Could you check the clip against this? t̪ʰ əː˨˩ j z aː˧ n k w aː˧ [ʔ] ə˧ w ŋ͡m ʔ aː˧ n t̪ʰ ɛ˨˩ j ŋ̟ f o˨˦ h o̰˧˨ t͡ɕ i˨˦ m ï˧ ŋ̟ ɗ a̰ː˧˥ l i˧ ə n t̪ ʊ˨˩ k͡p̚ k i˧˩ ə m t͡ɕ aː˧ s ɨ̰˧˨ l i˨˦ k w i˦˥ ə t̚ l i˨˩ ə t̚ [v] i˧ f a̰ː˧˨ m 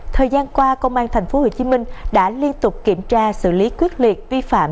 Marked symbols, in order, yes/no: no, yes

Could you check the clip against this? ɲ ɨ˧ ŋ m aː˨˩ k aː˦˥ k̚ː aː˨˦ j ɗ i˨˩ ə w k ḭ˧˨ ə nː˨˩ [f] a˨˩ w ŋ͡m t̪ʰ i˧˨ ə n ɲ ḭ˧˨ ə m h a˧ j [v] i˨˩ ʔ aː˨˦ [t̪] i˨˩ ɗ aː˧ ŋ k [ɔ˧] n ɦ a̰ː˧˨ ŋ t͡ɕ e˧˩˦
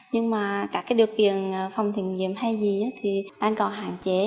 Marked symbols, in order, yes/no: yes, no, no, no

